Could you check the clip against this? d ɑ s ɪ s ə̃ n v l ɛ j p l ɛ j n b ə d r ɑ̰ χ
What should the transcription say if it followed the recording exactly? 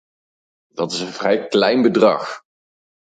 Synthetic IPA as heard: d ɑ t ɪ s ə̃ n v r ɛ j k l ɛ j n b ə d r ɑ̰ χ